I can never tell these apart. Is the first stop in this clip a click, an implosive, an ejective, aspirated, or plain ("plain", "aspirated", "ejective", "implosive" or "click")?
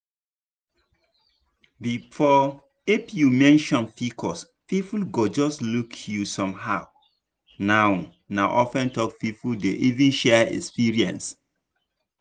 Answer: plain